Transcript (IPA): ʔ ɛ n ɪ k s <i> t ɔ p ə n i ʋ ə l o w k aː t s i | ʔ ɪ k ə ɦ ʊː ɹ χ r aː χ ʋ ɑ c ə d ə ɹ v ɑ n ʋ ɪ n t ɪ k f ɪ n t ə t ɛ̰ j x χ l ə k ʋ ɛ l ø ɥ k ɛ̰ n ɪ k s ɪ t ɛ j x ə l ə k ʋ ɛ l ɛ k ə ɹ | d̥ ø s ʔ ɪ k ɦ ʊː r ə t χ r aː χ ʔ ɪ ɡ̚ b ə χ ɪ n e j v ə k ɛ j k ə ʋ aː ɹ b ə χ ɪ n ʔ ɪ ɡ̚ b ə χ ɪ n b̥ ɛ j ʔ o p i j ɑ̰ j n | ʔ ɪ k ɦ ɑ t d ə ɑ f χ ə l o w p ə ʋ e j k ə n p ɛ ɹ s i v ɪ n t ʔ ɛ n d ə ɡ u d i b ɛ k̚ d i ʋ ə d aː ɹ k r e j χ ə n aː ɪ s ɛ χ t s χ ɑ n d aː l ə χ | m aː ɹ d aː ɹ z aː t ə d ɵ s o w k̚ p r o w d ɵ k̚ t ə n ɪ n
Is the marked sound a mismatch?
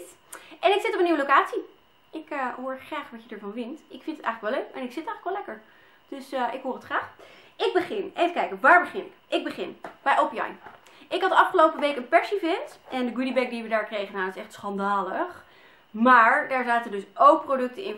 yes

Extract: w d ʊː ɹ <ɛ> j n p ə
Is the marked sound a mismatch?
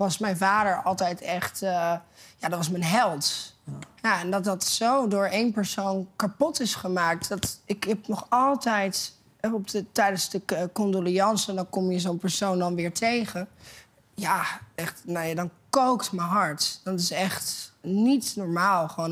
yes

